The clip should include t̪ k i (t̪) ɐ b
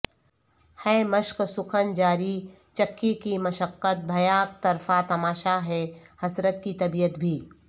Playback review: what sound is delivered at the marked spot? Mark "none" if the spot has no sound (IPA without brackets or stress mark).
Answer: t̪